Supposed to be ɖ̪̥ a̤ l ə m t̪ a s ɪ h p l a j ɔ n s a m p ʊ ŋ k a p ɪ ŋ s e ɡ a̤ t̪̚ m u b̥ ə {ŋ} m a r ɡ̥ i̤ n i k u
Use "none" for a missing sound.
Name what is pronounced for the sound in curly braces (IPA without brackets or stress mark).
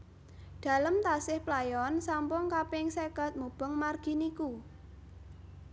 ŋ